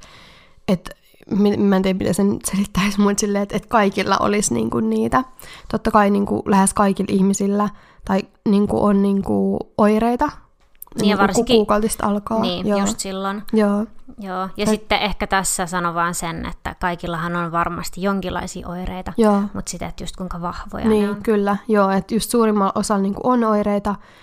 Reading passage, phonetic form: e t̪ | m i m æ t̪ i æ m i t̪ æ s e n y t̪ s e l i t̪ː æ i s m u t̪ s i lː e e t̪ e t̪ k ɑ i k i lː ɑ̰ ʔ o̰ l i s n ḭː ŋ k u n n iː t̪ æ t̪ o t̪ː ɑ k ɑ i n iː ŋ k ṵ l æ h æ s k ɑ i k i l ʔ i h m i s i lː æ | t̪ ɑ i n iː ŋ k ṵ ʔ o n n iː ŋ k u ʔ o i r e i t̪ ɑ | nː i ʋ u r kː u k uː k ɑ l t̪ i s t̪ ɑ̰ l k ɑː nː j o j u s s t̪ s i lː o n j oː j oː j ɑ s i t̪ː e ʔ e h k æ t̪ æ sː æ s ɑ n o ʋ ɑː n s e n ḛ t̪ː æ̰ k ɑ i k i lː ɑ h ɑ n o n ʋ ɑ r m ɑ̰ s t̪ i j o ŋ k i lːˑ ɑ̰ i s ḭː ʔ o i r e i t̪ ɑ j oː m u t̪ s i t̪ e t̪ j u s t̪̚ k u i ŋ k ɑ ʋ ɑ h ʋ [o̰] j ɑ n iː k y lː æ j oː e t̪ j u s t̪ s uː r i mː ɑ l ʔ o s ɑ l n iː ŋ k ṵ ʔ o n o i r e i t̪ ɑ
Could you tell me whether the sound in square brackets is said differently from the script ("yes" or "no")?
no